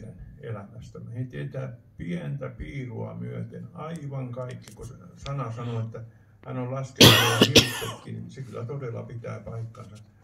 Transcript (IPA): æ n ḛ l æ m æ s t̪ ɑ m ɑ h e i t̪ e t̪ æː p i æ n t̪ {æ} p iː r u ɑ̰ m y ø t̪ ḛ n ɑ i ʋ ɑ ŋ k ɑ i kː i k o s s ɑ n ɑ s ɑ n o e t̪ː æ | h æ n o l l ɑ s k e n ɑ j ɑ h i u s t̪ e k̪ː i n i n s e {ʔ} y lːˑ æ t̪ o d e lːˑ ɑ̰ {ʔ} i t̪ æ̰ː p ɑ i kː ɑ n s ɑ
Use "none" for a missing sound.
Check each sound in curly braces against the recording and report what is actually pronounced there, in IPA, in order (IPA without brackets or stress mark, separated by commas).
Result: æ, k, p